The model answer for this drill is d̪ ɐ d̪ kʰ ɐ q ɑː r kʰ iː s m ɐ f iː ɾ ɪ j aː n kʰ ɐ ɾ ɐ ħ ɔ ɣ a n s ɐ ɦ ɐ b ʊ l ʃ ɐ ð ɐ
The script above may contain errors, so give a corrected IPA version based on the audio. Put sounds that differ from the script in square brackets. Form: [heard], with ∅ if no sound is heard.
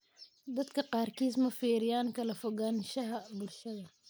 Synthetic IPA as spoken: d̪ ɐ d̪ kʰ ɐ q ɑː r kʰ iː s m ɐ f iː ɾ ɪ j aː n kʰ ɐ [l] ɐ [f] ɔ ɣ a n [ʃ] ɐ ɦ ɐ b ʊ l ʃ ɐ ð ɐ